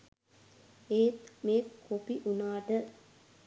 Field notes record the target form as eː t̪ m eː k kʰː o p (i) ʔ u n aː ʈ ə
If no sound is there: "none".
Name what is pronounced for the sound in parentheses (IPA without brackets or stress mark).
i